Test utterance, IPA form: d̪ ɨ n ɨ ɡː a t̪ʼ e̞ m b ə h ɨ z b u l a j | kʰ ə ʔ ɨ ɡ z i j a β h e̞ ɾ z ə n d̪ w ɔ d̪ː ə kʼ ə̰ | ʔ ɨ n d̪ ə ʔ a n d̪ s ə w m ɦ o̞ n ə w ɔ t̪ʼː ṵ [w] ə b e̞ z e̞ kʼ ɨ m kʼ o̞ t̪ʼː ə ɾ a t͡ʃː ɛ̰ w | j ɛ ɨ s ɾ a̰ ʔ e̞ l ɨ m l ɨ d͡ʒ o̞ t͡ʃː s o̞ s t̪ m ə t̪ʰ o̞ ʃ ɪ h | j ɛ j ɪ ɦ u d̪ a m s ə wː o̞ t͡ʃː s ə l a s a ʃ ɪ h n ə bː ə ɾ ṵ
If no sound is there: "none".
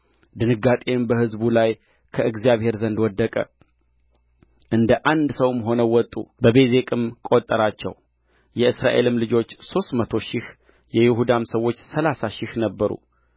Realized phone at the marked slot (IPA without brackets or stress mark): b